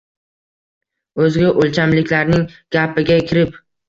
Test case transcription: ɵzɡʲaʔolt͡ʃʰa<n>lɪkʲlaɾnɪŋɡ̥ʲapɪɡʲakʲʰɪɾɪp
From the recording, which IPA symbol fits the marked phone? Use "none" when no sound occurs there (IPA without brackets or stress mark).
m